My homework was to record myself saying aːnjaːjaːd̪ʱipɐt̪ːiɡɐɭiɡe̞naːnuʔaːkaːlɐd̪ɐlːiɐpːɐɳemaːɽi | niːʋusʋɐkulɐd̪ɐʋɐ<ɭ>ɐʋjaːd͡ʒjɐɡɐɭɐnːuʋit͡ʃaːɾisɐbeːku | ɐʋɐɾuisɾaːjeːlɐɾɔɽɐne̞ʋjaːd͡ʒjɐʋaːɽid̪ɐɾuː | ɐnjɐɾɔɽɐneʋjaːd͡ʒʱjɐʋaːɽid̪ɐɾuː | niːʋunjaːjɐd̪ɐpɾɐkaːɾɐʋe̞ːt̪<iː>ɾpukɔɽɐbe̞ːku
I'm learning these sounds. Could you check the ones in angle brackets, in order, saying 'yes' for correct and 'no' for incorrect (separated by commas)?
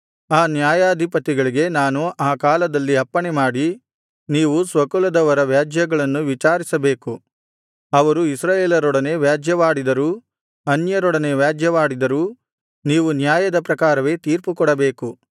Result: no, yes